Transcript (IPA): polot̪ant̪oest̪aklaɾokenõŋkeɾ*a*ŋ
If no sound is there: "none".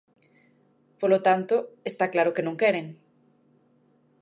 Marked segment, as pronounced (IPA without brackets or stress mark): e